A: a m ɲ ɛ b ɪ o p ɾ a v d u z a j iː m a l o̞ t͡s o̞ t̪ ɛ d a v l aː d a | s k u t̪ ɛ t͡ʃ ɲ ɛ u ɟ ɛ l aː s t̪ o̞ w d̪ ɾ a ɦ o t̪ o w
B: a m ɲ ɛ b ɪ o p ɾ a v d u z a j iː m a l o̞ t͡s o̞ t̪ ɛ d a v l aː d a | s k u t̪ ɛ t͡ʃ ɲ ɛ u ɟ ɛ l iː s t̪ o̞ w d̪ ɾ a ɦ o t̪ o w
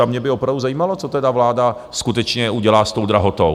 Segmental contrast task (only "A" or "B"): A